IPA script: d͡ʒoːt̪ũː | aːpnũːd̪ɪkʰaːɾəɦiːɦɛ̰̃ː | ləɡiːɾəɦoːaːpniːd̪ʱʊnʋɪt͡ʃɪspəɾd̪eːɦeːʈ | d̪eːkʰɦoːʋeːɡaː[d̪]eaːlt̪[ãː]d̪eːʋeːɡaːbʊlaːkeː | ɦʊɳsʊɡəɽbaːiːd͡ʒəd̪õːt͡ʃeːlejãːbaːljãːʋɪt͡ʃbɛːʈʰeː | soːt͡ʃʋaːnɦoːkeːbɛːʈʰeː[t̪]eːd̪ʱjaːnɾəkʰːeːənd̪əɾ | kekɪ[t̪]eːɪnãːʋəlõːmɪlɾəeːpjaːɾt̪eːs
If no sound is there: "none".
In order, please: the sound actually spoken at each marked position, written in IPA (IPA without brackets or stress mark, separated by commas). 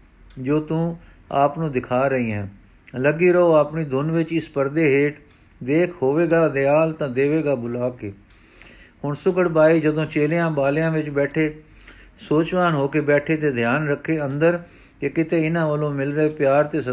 d̪, ãː, t̪, t̪